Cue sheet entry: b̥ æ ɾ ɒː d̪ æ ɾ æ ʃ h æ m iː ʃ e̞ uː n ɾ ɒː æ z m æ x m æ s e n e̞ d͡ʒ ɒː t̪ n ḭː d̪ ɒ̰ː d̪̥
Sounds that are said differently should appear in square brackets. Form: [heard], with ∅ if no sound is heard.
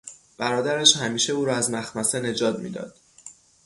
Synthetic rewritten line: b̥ æ ɾ ɒː d̪ æ ɾ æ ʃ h æ m iː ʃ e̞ uː [∅] ɾ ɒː æ z m æ x m æ s e n e̞ d͡ʒ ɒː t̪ [m] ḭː d̪ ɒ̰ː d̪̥

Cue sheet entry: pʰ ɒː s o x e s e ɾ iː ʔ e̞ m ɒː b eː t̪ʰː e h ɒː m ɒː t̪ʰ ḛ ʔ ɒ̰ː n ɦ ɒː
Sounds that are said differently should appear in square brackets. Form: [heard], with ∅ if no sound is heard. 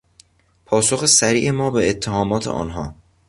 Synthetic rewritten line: pʰ ɒː s o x e s [æ] ɾ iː ʔ e̞ m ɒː b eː t̪ʰː e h ɒː m ɒː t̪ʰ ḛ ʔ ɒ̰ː n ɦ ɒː

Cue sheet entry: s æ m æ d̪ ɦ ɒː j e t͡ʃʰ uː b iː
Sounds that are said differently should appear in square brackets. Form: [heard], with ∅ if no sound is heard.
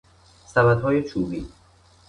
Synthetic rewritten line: s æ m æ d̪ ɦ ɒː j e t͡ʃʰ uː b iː

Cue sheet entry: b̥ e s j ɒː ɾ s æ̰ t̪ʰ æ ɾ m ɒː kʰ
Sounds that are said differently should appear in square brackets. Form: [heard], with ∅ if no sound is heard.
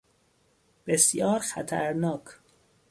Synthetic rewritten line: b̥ e s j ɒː ɾ [x] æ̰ t̪ʰ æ ɾ [n] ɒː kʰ

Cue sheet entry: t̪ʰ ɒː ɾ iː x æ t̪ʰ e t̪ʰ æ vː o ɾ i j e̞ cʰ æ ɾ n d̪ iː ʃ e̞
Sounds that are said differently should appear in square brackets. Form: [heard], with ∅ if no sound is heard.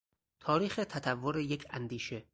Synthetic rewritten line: t̪ʰ ɒː ɾ iː x [e] t̪ʰ [æ] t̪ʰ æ vː o ɾ [e] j e̞ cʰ æ [∅] n d̪ iː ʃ e̞

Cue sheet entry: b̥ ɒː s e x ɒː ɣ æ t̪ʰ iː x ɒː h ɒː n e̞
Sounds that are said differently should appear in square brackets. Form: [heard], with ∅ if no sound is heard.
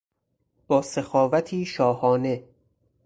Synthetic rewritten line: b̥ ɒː s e x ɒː [v] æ t̪ʰ iː [ʃ] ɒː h ɒː n e̞

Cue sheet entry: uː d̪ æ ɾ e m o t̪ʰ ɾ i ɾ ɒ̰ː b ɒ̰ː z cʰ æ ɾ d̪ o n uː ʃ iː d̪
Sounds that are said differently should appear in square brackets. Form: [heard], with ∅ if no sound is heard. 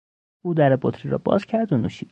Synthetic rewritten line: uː d̪ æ ɾ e [b] o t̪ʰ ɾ i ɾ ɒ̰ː b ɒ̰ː z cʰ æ ɾ d̪ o n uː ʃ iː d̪

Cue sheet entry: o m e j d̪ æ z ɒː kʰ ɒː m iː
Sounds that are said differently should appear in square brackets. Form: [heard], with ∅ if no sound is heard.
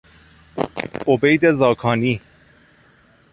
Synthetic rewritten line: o [b] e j d̪ [e] z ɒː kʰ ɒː [n] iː

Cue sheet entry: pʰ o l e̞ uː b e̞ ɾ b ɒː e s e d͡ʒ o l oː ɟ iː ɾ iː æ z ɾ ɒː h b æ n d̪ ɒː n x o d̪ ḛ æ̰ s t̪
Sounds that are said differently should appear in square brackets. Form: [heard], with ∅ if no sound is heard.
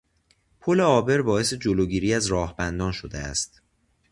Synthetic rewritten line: pʰ o l e̞ [ɒː] b e̞ ɾ b ɒː e s e d͡ʒ o l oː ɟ iː ɾ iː æ z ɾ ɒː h b æ n d̪ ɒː n [ʃ] o d̪ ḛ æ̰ s t̪

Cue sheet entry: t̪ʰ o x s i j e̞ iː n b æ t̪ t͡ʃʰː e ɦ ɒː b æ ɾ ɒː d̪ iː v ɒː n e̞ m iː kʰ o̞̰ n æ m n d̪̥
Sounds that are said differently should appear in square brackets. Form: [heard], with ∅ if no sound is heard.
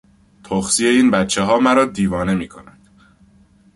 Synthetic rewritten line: t̪ʰ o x s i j e̞ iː n b æ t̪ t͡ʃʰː e ɦ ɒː [m] æ ɾ ɒː d̪ iː v ɒː n e̞ m iː kʰ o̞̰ n æ [∅] n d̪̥

